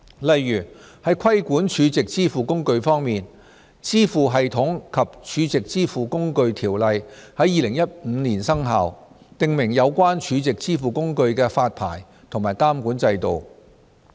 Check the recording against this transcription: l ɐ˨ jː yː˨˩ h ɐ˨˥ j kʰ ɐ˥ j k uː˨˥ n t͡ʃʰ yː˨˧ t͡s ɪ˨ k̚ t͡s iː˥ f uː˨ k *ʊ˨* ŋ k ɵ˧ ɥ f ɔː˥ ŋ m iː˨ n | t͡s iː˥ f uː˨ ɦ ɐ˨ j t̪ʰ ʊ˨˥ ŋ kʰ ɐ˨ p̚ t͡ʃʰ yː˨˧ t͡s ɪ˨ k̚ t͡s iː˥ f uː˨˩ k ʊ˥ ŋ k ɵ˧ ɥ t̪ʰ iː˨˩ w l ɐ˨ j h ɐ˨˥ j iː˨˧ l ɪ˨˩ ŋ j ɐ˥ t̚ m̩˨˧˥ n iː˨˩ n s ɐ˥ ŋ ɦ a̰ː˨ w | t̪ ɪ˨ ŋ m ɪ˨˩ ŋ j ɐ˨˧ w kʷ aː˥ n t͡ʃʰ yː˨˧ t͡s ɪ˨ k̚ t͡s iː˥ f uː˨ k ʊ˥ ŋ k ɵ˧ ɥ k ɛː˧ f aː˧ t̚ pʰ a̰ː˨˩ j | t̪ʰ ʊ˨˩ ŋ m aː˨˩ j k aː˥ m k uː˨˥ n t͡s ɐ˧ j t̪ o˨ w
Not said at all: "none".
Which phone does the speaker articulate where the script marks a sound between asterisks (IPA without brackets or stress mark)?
ʊ˥